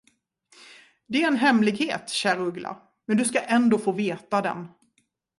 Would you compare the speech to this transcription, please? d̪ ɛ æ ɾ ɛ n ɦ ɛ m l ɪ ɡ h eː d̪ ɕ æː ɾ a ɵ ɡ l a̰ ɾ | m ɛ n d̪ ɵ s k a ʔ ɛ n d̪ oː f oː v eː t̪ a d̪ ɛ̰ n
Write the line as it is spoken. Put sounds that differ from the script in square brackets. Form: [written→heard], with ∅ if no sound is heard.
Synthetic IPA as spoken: d̪ ɛ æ ɾ ɛ n ɦ ɛ m l ɪ ɡ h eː [d̪→t̪] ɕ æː ɾ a ɵ ɡ l a̰ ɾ | m ɛ n d̪ ɵ s k a ʔ ɛ n d̪ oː f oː v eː t̪ a d̪ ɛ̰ n